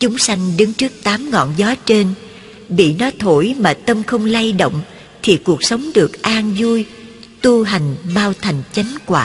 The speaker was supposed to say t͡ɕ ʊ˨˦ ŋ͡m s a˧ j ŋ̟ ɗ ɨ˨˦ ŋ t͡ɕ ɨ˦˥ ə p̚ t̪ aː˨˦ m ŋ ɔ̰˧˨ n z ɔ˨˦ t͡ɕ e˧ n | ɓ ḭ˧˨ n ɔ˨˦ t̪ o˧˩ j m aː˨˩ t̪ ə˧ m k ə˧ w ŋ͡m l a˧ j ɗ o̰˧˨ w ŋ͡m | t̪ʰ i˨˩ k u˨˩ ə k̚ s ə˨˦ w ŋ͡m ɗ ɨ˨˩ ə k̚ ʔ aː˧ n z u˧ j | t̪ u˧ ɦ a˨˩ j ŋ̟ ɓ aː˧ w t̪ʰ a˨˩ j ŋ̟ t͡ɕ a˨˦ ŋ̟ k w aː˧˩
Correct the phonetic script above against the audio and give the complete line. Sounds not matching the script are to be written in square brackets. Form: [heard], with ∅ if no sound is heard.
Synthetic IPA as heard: t͡ɕ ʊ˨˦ ŋ͡m s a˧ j ŋ̟ ɗ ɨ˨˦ ŋ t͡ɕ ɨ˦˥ ə [k̚] t̪ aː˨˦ m ŋ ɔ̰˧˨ n z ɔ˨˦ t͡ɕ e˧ n | ɓ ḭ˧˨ n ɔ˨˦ [t̪ʰ] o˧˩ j m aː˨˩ t̪ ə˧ m [x] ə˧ w ŋ͡m l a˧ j ɗ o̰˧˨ w ŋ͡m | t̪ʰ i˨˩ k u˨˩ ə k̚ s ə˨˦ w ŋ͡m ɗ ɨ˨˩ ə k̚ ʔ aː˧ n z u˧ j | t̪ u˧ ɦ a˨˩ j ŋ̟ ɓ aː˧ w t̪ʰ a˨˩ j ŋ̟ t͡ɕ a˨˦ ŋ̟ k w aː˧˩